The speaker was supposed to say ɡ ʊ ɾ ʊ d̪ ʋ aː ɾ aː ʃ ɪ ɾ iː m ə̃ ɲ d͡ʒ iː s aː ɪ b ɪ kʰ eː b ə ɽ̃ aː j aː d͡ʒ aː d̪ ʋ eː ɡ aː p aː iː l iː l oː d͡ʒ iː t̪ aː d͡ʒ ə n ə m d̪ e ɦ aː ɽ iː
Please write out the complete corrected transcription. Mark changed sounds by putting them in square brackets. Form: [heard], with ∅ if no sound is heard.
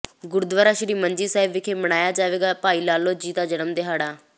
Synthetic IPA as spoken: ɡ ʊ ɾ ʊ d̪ ʋ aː ɾ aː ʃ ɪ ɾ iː m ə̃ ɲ d͡ʒ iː s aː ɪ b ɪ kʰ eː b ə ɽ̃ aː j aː d͡ʒ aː [∅] ʋ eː ɡ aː p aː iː l [aː] l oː d͡ʒ iː t̪ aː d͡ʒ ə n ə m d̪ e ɦ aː ɽ [aː]